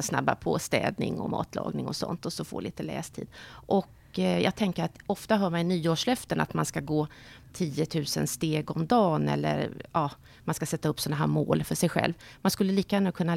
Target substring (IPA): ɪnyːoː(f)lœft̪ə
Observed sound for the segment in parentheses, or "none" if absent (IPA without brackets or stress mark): ʂ